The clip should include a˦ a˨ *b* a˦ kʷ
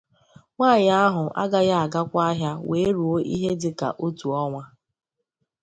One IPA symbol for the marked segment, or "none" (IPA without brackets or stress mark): ɡ